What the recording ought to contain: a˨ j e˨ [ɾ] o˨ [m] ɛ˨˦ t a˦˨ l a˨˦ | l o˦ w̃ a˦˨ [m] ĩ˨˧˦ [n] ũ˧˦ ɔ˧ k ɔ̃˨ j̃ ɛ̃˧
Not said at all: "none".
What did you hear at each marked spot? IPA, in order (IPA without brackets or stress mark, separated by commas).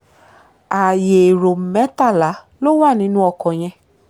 ɾ, m, n, n